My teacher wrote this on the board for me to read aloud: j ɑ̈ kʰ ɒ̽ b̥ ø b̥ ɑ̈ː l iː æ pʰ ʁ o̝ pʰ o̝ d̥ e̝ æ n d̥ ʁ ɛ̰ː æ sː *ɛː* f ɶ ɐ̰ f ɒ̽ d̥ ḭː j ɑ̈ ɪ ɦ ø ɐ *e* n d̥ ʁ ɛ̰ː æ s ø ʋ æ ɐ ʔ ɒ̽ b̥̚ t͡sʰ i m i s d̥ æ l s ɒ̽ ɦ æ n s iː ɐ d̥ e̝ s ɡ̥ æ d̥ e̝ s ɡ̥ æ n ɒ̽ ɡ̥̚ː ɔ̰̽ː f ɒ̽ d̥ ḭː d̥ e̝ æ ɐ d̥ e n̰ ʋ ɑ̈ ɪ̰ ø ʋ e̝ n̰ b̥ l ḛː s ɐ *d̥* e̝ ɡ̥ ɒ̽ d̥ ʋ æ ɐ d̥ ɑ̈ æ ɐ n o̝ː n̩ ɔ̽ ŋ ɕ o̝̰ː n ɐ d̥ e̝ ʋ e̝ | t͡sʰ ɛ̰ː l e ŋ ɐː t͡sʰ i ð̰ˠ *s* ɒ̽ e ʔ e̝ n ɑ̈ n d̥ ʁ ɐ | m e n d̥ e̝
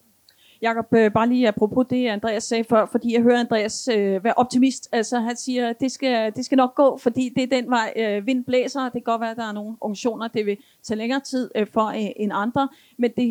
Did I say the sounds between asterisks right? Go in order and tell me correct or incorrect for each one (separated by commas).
correct, incorrect, correct, incorrect